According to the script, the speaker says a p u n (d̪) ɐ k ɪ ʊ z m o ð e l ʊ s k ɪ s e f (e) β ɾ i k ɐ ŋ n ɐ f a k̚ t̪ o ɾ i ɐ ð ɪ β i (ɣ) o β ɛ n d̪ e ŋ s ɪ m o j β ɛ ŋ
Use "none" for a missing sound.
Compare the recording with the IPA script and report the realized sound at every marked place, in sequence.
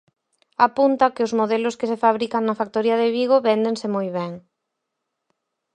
t̪, a, ɣ

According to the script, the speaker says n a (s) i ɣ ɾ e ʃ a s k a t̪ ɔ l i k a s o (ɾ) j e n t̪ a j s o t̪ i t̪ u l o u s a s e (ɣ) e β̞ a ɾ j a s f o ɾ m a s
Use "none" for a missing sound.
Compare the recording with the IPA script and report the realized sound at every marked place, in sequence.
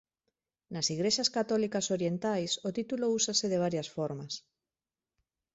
s, ɾ, ð

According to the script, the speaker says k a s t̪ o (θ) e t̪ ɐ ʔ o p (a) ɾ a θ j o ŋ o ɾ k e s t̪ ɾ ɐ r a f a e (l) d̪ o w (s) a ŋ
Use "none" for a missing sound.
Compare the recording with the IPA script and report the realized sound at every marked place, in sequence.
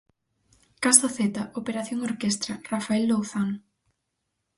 θ, e, l, θ

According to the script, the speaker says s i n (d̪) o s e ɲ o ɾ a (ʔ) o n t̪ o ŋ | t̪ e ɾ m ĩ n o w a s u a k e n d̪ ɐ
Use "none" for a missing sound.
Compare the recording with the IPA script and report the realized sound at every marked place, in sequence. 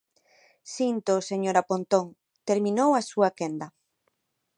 t̪, p

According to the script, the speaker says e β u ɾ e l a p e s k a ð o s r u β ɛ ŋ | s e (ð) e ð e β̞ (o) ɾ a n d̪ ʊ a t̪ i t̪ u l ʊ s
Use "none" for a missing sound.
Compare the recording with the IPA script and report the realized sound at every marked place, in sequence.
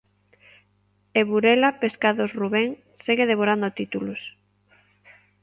ɣ, o

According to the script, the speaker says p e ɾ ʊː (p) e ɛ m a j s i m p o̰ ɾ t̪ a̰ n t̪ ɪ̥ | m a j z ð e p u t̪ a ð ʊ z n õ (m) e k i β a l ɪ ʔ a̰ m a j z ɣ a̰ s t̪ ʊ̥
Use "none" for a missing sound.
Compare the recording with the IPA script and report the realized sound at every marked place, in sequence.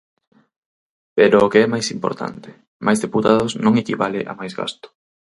k, ŋ

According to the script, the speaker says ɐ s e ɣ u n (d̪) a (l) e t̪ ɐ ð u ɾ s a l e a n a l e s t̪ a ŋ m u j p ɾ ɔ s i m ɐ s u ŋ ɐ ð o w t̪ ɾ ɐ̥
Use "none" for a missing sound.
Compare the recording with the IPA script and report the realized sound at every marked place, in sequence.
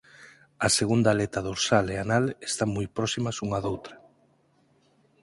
d̪, l

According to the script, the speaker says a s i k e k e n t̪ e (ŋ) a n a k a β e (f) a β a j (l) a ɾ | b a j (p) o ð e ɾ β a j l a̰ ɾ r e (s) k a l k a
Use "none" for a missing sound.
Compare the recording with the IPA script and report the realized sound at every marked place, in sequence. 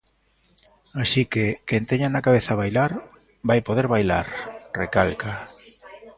ɲ, θ, l, p, none

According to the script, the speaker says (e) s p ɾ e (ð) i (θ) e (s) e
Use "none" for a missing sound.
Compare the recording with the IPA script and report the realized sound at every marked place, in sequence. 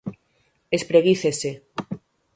e, ɣ, θ, s

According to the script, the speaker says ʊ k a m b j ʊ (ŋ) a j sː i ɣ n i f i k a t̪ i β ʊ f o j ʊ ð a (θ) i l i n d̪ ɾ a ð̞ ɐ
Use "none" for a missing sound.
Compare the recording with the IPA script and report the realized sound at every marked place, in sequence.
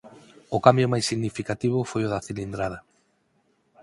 m, θ

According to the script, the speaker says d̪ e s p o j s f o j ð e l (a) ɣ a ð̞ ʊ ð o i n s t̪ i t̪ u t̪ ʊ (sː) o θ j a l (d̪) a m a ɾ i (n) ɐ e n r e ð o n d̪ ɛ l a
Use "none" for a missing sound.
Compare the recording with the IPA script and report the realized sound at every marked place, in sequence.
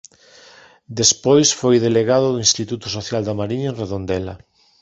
e, s, d̪, ɲ

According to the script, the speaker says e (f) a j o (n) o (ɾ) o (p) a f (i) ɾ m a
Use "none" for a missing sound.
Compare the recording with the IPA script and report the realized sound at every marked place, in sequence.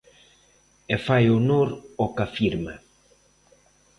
f, n, ɾ, k, i

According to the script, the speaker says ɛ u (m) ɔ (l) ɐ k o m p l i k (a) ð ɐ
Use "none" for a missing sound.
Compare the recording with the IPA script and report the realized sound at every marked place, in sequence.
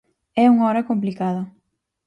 ŋ, ɾ, a

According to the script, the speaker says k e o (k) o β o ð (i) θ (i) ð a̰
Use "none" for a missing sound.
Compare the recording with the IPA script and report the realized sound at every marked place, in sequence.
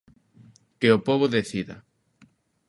p, e, i

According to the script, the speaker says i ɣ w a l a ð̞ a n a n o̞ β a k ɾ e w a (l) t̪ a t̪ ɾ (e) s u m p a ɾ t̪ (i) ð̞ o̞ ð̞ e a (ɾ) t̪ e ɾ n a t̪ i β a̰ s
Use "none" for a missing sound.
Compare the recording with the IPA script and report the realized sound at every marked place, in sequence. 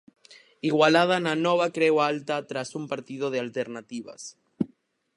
l, a, i, l

